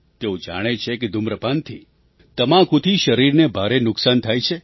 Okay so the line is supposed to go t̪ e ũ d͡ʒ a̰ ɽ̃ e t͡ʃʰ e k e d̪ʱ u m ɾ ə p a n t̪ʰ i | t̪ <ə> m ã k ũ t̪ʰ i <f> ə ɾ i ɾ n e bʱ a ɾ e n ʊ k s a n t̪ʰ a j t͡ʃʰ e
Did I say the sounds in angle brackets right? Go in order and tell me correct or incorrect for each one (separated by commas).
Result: correct, incorrect